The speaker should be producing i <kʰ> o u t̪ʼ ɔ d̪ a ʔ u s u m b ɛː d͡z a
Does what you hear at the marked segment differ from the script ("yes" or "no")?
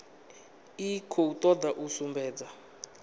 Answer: no